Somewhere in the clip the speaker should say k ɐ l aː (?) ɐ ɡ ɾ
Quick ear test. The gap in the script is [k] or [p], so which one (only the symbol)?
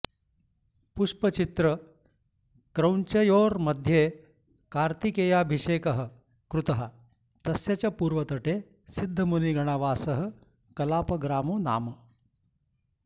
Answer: p